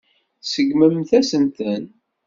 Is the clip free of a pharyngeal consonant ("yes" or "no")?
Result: yes